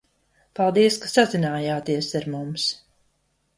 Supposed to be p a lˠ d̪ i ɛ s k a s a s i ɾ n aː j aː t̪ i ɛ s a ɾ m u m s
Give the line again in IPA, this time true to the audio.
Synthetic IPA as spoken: p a lˠ d̪ i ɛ s k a s a z i n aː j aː t̪ i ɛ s a ɾ m u m s